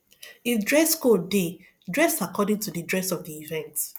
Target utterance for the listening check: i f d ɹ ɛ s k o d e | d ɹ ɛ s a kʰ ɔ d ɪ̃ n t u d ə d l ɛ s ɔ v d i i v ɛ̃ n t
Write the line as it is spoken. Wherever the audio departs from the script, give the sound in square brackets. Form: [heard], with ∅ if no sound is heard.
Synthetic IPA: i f d ɹ ɛ s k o d e | d ɹ ɛ s a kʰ ɔ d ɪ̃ [ŋ] t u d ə d [ɹ] ɛ s ɔ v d i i v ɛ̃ n t